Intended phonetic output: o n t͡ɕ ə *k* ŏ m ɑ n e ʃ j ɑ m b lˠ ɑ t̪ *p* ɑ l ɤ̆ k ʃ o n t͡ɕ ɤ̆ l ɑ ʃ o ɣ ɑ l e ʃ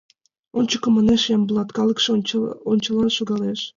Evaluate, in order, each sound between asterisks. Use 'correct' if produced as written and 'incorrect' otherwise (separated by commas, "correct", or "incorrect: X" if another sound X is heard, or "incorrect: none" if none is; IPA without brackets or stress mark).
correct, incorrect: k